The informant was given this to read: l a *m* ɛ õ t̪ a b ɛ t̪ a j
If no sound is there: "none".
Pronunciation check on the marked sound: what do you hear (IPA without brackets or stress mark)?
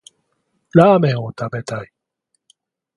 m